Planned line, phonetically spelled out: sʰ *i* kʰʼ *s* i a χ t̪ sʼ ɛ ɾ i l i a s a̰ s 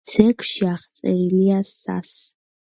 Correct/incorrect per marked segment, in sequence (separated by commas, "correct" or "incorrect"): incorrect, incorrect